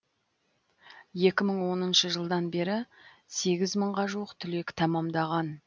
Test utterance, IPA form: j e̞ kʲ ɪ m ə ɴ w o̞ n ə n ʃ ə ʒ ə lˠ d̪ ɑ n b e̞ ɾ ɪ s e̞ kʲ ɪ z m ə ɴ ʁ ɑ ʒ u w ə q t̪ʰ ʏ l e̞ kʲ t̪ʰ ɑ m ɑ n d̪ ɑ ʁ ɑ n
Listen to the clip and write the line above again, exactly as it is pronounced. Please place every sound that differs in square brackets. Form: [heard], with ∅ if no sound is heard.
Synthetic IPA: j e̞ kʲ ɪ m ə ɴ w o̞ n ə n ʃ ə ʒ ə lˠ d̪ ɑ n b e̞ ɾ ɪ s e̞ [ɡʲ] ɪ z m ə ɴ ʁ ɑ ʒ u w ə q t̪ʰ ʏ l e̞ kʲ t̪ʰ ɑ m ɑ [m] d̪ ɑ ʁ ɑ n